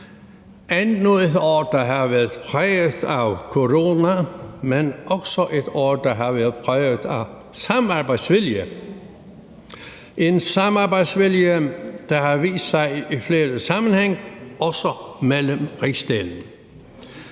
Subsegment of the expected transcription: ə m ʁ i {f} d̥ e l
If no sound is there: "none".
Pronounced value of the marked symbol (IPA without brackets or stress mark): s